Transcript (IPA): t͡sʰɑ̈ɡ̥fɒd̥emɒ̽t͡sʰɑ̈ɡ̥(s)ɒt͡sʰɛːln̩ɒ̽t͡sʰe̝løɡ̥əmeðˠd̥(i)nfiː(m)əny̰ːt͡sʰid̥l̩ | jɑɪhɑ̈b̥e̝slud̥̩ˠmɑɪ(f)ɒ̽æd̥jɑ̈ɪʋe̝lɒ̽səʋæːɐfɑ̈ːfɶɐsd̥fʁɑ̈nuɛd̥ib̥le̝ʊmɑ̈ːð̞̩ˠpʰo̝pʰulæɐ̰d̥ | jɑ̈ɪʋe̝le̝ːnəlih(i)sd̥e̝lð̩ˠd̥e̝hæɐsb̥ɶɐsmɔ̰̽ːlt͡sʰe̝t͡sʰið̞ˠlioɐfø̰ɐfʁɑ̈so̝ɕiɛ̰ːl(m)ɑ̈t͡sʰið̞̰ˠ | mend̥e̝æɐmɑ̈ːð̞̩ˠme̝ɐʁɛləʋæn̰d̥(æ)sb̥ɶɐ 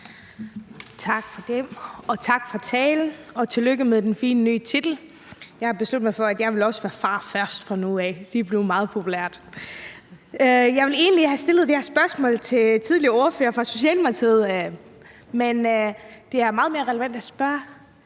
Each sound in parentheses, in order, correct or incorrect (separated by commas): incorrect, incorrect, incorrect, correct, incorrect, correct, correct